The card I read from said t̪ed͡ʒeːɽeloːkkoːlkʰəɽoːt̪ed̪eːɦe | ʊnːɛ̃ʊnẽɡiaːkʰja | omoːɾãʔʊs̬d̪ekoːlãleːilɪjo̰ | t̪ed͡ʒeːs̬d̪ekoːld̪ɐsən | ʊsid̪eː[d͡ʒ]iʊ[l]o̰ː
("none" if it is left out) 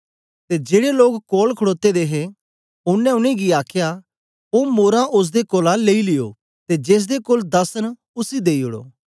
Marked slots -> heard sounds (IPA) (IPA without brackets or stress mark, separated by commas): none, ɽ